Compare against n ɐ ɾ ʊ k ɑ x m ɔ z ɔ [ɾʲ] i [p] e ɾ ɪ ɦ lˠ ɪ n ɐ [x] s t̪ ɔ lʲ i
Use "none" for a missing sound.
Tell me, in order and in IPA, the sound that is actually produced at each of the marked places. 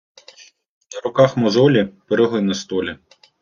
lʲ, p, none

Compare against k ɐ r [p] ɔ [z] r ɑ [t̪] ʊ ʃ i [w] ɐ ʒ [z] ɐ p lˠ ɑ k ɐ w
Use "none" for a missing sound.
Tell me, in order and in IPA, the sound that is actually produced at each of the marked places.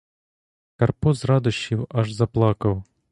p, z, d̪, w, z

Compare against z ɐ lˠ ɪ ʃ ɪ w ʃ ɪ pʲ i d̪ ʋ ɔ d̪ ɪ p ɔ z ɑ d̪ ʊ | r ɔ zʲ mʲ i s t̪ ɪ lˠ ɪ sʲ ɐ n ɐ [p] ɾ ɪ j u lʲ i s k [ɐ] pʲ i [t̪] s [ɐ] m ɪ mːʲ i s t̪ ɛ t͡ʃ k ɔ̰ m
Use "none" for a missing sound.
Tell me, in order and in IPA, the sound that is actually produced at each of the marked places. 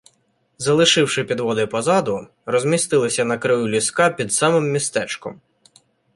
k, ɑ, d̪, ɑ

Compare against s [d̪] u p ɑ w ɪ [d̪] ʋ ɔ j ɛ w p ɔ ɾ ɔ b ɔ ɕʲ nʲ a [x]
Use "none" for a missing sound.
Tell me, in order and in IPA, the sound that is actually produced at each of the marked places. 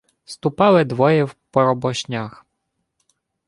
t̪, d̪, x

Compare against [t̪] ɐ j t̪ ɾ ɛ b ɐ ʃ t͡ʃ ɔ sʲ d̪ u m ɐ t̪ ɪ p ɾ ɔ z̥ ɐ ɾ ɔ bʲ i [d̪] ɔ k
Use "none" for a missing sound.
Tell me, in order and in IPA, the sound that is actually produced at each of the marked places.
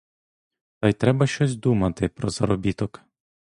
t̪, t̪

